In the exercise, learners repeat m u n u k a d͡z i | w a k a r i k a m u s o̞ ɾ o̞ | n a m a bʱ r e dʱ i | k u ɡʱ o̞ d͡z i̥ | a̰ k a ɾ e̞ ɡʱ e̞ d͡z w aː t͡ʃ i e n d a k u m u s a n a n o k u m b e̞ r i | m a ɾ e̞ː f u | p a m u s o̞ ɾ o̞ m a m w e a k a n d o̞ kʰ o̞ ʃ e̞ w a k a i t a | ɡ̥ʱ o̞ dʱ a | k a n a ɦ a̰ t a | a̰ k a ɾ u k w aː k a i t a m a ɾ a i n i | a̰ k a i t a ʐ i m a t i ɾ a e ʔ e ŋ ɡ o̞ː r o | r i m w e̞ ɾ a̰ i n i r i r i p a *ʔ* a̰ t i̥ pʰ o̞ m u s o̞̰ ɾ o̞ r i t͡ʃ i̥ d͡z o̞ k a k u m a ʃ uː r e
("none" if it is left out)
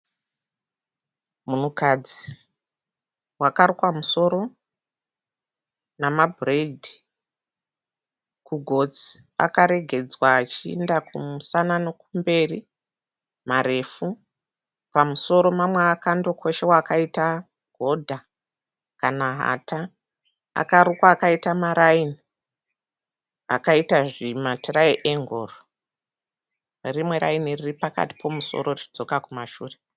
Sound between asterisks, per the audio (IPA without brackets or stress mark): k